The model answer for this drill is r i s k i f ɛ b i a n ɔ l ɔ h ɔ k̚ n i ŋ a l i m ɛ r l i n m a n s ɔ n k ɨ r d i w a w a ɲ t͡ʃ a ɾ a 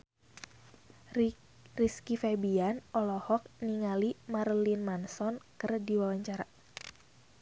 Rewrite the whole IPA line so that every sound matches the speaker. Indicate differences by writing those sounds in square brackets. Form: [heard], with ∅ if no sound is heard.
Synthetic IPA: r i s k i f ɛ b i a n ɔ l ɔ h ɔ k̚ n i ŋ a l i m [a] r l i n m a n s ɔ n k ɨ r d i w a w a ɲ t͡ʃ a ɾ a